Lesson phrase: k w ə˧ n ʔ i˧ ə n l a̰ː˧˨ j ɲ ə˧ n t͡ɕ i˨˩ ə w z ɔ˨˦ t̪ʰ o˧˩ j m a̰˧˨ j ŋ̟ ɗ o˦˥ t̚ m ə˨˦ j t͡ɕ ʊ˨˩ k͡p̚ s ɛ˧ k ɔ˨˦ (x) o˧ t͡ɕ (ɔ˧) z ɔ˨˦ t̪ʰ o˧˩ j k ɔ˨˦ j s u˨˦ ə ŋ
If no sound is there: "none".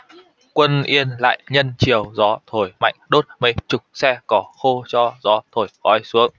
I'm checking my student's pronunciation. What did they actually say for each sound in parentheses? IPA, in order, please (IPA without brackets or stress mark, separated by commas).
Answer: x, ɔ˧